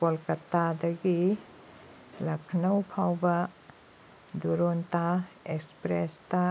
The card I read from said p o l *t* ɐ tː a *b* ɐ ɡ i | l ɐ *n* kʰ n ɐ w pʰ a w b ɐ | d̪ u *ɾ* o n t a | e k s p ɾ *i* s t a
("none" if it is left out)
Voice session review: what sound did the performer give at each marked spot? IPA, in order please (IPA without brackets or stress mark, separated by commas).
k, d, none, ɾ, e